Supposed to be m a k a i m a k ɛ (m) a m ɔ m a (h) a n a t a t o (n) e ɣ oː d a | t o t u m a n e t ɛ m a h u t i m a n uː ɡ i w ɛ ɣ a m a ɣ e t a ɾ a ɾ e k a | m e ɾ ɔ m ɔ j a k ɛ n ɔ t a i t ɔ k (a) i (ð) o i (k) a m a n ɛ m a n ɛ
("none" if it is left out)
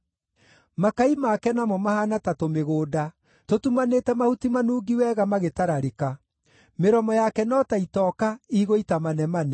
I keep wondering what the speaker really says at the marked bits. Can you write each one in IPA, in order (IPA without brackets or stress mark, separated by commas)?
n, h, m, a, ɣ, t